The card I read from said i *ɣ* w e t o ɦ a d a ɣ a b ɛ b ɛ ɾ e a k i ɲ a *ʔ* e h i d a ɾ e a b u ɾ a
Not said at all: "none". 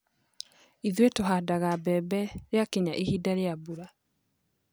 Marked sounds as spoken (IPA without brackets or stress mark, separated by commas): ð, ʔ